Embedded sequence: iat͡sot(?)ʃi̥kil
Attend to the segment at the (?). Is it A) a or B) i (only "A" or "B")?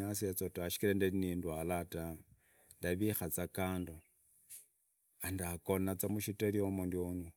A